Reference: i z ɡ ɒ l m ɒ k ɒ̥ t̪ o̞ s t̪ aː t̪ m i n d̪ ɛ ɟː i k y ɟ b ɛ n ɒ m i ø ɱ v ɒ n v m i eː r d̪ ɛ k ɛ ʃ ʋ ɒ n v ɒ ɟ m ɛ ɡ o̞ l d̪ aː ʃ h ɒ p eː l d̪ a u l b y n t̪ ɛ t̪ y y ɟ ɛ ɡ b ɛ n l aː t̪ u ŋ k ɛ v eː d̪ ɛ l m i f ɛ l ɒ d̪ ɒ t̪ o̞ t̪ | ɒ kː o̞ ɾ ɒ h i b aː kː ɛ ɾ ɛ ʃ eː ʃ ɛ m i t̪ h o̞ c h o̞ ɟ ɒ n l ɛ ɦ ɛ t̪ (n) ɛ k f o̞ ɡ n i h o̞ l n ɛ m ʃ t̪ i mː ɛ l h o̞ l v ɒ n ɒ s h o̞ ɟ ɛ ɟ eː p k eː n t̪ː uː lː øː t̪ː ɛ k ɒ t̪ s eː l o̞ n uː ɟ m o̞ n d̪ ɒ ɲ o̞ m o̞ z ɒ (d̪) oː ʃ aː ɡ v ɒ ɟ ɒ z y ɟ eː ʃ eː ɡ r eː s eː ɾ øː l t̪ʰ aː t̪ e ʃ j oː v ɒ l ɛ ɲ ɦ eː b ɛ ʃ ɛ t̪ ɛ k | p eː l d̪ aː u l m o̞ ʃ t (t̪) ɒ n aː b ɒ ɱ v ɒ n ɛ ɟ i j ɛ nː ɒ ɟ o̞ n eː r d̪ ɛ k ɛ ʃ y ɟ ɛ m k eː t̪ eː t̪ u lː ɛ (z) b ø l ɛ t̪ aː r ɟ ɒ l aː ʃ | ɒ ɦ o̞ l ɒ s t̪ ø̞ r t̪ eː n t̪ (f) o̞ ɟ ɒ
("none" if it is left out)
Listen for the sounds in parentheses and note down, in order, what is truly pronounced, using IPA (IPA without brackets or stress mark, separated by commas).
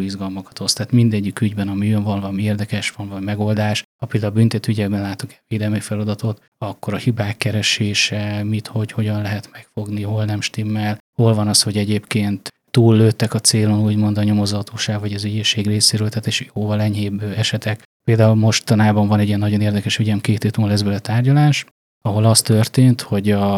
m, t̪, t̪, z, h